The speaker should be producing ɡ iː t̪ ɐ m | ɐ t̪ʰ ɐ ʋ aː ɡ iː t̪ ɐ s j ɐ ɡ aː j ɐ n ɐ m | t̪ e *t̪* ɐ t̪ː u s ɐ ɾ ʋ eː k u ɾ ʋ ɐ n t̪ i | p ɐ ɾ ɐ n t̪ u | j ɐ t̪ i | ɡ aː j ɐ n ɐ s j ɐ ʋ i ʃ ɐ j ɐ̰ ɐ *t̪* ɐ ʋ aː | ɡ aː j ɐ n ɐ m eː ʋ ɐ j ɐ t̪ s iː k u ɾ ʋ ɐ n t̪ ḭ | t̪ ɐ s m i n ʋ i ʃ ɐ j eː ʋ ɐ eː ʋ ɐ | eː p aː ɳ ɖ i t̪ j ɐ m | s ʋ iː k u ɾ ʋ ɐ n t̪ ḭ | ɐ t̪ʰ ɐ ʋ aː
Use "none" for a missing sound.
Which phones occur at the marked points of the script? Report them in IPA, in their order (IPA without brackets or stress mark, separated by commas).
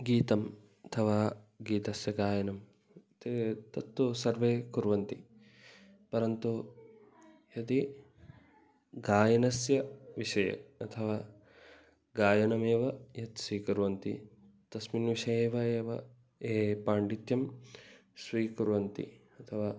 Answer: t̪, t̪ʰ